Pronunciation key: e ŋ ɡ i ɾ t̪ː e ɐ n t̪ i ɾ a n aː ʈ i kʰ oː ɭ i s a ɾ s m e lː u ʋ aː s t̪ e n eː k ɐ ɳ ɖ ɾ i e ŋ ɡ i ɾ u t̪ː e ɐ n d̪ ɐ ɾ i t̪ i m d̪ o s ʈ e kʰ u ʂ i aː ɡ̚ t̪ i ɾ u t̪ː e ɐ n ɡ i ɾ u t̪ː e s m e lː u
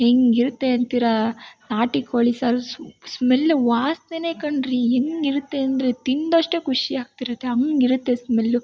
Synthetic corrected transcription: e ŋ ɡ i ɾ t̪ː e ɐ n t̪ i ɾ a n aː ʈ i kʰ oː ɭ i s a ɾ s m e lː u ʋ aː s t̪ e n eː k ɐ ɳ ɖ ɾ i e ŋ ɡ i ɾ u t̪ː e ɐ n d̪ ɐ ɾ e t̪ i n d̪ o ʂ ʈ e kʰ u ʂ i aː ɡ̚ t̪ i ɾ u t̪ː e ɐ ŋ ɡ i ɾ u t̪ː e s m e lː u